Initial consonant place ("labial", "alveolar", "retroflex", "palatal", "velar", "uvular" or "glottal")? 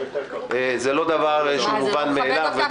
alveolar